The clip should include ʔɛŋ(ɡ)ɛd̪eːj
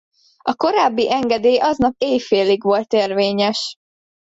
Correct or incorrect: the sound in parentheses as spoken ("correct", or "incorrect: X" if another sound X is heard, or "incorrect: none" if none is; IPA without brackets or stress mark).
correct